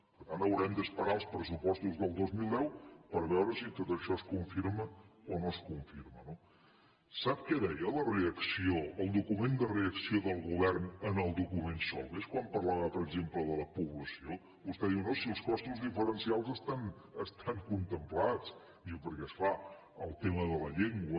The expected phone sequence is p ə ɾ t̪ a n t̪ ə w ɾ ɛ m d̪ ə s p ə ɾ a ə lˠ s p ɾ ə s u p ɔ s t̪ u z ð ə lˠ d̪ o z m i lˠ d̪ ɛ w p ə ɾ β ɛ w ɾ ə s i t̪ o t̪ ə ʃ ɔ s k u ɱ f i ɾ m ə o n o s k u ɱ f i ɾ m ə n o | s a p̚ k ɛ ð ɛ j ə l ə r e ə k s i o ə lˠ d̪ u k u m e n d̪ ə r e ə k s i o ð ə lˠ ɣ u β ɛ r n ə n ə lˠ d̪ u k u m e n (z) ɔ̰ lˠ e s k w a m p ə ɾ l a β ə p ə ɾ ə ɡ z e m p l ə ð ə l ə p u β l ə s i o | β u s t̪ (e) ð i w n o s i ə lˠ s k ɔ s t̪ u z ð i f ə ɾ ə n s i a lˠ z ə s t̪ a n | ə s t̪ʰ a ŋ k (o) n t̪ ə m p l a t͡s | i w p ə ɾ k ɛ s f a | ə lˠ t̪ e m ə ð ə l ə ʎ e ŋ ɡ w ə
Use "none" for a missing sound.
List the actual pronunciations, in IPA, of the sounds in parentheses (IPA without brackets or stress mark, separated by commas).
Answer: s, ɛ, u